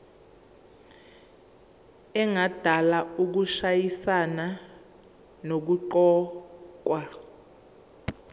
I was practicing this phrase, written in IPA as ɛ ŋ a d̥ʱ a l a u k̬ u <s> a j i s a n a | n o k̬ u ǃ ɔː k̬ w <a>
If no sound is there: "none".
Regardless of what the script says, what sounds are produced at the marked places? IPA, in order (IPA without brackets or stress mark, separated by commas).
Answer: ʃ, a